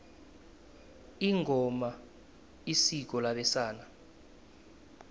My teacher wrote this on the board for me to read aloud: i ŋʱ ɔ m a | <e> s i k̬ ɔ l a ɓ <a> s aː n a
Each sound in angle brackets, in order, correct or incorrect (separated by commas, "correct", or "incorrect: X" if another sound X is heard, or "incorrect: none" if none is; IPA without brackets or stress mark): incorrect: i, incorrect: ɛ